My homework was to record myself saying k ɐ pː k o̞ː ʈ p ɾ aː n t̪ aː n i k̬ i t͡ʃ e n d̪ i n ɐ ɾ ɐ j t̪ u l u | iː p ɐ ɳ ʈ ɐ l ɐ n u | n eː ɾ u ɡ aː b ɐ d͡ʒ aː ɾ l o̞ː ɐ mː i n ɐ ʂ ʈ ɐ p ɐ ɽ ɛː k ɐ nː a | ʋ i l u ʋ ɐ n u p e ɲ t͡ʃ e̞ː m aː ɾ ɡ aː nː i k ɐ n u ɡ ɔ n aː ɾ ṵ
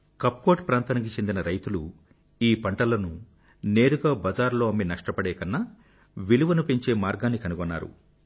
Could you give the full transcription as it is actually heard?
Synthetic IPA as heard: k ɐ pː k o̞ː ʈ p ɾ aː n t̪ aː n i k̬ i t͡ʃ e n d̪ i n ɐ ɾ ɐ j t̪ u l u | iː p ɐ ɳ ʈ ɐ l ɐ n u | n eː ɾ u ɡ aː b ɐ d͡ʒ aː ɾ l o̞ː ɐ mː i n ɐ ʂ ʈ ɐ p ɐ ɽ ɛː k ɐ nː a | ʋ i l u ʋ ɐ n u p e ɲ t͡ʃ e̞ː m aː ɾ ɡ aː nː i k ɐ n u ɡ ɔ nː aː ɾ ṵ